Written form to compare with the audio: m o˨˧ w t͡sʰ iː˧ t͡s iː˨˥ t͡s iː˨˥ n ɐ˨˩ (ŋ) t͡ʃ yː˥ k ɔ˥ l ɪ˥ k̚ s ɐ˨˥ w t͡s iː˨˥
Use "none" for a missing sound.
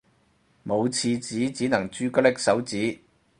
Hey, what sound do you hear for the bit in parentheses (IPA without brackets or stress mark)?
ŋ